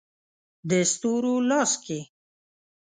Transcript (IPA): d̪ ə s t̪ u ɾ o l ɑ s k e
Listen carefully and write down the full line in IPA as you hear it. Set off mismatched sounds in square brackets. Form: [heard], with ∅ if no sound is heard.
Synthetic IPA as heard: d̪ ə s t̪ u ɾ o l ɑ s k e